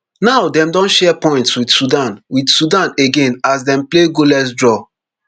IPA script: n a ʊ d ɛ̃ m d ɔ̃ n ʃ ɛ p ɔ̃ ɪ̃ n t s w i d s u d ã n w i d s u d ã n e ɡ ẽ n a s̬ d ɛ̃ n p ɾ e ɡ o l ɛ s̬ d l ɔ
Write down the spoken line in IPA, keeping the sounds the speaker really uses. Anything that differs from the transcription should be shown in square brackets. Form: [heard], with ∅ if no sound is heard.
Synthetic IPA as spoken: n a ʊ d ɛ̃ m d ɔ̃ n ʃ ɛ p ɔ̃ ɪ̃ n t s w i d s u d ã n w i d s u d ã n e ɡ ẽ n a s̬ d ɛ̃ [m] p [l] e ɡ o l ɛ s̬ d [ɹ] ɔ